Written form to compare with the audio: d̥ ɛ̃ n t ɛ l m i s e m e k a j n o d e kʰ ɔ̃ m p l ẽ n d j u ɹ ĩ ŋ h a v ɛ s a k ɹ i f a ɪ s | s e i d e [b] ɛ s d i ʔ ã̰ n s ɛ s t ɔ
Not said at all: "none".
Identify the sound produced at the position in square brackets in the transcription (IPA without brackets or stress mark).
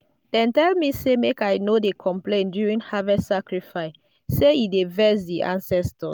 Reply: v